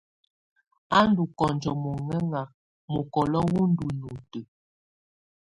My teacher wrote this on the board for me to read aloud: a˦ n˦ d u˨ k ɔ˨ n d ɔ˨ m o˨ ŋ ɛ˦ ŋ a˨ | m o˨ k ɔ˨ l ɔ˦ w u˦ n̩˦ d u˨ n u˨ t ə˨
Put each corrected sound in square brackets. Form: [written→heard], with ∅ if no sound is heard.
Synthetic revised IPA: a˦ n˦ d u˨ k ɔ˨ n [d→d͡ʒ] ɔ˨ m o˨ ŋ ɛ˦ ŋ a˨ | m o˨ k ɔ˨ l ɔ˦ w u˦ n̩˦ d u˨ n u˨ t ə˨